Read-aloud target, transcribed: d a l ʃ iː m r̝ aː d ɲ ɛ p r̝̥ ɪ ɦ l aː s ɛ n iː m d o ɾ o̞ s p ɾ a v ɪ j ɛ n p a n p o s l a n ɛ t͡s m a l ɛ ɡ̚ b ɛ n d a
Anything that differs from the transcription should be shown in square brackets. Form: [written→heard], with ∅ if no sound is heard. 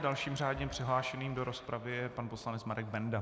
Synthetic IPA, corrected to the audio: d a l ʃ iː m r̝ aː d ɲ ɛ p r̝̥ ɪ ɦ l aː [s→ʃ] ɛ n iː m d o ɾ o̞ s p ɾ a v ɪ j ɛ [n→∅] p a n p o s l a n ɛ t͡s m a [l→ɾ] ɛ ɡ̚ b ɛ n d a